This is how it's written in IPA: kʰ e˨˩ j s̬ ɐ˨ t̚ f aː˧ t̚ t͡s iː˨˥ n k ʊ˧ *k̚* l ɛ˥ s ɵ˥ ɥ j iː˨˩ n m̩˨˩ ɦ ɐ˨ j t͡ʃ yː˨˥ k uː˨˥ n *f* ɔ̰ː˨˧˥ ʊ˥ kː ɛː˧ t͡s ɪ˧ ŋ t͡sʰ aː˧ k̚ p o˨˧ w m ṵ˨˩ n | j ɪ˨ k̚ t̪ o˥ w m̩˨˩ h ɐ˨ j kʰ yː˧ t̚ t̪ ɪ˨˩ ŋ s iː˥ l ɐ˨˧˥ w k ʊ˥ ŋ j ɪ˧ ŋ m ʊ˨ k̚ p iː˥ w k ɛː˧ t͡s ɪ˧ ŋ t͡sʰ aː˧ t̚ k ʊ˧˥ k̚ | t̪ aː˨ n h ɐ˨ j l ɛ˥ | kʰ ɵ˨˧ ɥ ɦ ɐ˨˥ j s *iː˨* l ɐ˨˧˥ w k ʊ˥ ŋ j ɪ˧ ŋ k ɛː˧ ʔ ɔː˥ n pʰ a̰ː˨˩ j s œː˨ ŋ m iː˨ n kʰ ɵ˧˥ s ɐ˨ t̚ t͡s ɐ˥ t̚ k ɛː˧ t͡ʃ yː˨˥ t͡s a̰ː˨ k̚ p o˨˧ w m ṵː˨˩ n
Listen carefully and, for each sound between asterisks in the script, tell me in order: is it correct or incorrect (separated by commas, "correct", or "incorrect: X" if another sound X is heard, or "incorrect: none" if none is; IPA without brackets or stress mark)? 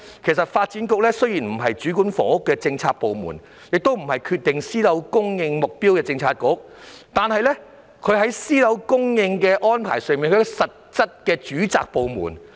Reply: correct, correct, incorrect: iː˥